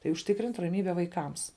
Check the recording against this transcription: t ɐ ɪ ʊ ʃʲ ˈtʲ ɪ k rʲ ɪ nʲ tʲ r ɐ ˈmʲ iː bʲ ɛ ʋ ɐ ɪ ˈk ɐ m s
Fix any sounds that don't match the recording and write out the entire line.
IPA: t ɐ ɪ ʊ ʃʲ ˈtʲ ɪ k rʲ ɪ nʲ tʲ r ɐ ˈmʲ iː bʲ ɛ ʋ ɐ ɪ ˈk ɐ m s